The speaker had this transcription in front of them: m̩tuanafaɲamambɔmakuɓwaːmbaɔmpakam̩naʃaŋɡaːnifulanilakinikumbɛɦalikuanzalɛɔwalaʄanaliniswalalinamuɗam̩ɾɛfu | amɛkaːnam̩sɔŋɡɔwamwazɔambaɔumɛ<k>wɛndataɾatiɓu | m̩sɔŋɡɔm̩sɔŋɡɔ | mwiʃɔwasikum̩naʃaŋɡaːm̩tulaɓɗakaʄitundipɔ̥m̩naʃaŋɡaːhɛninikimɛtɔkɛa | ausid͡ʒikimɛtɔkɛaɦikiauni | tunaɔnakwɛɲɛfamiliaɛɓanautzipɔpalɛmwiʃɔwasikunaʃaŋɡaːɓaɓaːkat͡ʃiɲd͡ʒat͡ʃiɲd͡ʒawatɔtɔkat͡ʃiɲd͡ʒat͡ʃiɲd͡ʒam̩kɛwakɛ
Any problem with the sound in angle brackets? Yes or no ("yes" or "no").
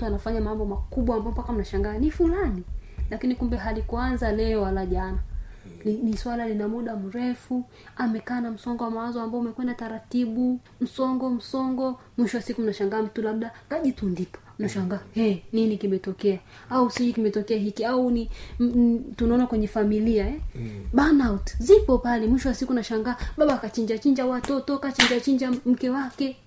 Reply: no